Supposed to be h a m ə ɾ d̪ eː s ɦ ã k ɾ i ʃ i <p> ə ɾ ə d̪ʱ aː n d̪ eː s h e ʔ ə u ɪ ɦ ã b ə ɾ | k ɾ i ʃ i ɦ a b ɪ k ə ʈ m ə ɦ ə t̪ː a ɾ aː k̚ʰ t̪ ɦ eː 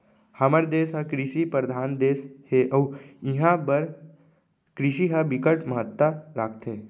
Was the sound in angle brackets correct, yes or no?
yes